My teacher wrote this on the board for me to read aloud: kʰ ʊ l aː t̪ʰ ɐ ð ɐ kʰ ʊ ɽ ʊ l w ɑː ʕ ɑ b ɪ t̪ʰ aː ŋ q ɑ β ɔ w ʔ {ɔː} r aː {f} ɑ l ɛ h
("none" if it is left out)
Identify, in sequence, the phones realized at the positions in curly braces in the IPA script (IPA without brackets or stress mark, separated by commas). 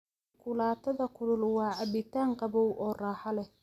ɔː, ħ